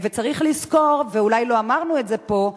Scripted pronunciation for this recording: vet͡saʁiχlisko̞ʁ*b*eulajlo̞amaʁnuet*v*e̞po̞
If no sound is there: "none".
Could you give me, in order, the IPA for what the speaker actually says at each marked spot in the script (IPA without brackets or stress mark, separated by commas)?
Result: v, z